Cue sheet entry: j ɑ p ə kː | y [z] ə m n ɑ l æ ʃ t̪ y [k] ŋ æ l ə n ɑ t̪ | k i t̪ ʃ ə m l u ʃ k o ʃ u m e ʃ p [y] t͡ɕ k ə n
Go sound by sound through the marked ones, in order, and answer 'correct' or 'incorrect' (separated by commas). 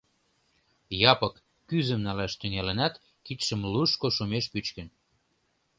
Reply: correct, incorrect, correct